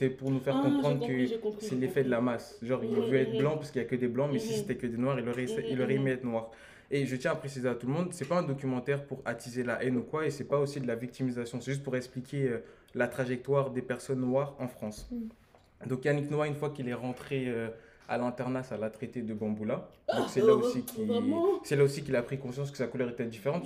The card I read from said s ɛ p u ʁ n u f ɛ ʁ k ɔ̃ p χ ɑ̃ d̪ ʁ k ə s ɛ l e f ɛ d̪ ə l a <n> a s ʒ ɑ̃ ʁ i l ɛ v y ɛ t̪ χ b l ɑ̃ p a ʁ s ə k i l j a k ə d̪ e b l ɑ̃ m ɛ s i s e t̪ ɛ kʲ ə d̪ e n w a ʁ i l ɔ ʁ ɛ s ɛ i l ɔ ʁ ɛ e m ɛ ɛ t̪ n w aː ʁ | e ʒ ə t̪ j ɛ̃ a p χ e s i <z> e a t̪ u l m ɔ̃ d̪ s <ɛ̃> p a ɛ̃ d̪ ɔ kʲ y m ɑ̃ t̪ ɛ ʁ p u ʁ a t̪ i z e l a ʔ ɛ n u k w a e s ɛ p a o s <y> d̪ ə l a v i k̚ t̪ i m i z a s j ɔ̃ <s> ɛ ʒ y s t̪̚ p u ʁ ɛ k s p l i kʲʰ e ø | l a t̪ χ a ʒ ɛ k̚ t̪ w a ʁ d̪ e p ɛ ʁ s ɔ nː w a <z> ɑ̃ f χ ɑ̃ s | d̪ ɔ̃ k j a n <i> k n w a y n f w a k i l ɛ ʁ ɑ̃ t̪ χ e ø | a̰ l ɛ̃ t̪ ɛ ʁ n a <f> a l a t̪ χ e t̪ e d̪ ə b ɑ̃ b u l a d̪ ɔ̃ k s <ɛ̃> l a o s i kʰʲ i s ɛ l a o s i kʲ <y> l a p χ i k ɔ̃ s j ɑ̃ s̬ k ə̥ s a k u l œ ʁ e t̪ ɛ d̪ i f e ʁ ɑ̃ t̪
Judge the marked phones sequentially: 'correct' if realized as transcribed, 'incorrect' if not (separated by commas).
incorrect, correct, incorrect, incorrect, correct, incorrect, correct, incorrect, incorrect, incorrect